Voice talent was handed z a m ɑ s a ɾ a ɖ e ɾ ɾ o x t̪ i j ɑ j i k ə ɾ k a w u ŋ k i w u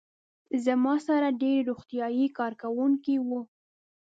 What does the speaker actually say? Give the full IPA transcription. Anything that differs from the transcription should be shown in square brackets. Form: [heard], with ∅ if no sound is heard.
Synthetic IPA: z a m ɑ s a ɾ a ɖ e ɾ ɾ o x t̪ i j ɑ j i k [ɑ] ɾ k a w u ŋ k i w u